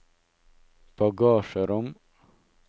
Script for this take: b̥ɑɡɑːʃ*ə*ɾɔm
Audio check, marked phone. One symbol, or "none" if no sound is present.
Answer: ə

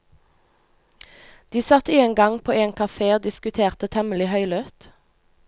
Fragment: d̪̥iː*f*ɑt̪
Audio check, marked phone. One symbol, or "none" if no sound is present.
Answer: s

